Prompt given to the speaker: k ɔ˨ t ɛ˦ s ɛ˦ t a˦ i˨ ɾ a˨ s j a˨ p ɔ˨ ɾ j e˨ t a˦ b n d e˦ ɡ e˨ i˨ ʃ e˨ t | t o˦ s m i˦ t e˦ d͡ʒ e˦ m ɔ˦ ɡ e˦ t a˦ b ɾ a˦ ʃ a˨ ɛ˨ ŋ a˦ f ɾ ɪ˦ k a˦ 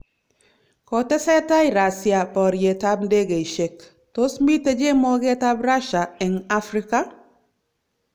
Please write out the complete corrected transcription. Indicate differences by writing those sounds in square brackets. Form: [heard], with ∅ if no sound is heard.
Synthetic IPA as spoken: k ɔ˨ t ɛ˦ s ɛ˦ t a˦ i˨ ɾ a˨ s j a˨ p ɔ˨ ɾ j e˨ t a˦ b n d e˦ ɡ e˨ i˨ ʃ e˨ [k] | t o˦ s m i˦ t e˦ d͡ʒ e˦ m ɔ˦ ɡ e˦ t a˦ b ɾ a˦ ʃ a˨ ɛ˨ ŋ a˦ f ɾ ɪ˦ k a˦